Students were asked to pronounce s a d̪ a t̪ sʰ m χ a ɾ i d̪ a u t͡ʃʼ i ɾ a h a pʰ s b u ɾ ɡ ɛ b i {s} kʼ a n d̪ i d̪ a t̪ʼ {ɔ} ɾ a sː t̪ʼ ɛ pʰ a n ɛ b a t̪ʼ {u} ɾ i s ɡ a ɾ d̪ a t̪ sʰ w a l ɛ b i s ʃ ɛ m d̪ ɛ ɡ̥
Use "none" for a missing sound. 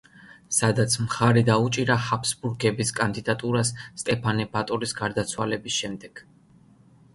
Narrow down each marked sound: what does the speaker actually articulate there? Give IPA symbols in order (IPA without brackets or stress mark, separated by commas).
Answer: s, u, ɔ